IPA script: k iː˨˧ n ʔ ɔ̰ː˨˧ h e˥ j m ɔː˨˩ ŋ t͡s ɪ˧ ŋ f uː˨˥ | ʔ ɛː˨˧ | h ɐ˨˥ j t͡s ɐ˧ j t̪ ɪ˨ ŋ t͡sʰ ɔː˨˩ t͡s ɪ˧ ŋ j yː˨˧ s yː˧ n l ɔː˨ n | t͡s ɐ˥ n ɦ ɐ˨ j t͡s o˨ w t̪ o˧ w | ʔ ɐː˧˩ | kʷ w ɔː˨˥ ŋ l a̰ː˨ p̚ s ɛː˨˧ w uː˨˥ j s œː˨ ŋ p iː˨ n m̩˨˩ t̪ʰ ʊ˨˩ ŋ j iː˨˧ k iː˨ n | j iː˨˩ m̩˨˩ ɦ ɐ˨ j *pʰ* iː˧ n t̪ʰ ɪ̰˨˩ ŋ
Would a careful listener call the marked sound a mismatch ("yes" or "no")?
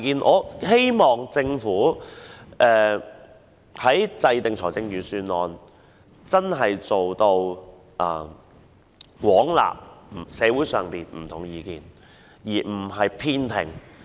no